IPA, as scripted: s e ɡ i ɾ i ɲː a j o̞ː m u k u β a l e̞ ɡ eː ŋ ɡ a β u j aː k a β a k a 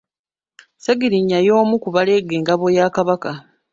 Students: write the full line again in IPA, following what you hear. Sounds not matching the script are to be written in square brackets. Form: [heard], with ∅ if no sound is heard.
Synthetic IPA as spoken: s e ɡ i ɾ i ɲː a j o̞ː m u k u β a l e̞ ɡ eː ŋ ɡ a β [o] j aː k a β a k a